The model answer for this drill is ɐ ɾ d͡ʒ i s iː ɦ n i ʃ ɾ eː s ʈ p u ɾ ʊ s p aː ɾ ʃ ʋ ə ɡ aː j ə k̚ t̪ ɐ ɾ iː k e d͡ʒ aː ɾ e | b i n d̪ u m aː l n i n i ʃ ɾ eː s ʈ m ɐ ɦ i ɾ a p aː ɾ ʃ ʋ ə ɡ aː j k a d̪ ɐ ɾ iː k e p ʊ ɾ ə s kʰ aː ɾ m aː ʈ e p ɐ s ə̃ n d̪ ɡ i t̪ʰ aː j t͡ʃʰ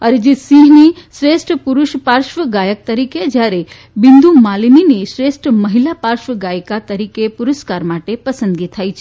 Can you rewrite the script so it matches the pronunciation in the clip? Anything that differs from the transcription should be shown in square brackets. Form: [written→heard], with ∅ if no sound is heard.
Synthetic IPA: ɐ ɾ d͡ʒ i s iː ɦ n i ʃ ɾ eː s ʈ p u ɾ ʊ [s→ʃ] p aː ɾ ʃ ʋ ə ɡ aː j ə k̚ t̪ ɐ ɾ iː k e d͡ʒ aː ɾ e | b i n d̪ u m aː l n i n i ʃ ɾ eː s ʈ m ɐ ɦ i [ɾ→l] a p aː ɾ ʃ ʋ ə ɡ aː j k a [d̪→t̪] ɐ ɾ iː k e p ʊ ɾ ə s [kʰ→k] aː ɾ m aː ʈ e p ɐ s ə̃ n d̪ ɡ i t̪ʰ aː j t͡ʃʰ

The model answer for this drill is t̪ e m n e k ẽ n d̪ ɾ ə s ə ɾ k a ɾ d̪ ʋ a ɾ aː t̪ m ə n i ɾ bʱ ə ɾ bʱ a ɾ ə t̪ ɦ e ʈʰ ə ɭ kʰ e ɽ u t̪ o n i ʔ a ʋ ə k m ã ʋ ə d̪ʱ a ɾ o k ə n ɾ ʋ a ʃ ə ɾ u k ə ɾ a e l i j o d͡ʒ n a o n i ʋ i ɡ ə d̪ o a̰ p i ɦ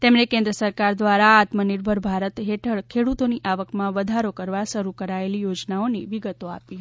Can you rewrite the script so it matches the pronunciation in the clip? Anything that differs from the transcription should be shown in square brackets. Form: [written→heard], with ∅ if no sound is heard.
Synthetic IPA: t̪ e m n e k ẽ n d̪ ɾ ə s ə ɾ k a ɾ d̪ ʋ a ɾ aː t̪ m ə n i ɾ bʱ ə ɾ bʱ a ɾ ə t̪ ɦ e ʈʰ ə ɭ kʰ e ɽ u t̪ o n i ʔ a ʋ ə k m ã ʋ ə d̪ʱ a ɾ o k ə [n→∅] ɾ ʋ a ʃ ə ɾ u k ə ɾ a e l i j o d͡ʒ n a o n i ʋ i ɡ ə [d̪→t̪] o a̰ p i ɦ

